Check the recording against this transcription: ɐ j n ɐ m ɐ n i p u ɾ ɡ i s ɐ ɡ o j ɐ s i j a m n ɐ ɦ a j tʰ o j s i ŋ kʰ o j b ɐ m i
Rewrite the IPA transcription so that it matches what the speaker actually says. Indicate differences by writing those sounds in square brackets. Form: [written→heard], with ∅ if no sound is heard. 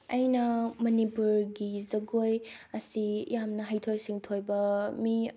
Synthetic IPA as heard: ɐ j n ɐ m ɐ n i p u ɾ ɡ i [s→z] ɐ ɡ o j ɐ s i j a m n ɐ ɦ a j tʰ o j s i ŋ [kʰ→tʰ] o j b ɐ m i